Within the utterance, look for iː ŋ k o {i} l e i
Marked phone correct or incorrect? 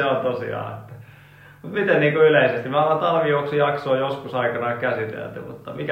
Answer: incorrect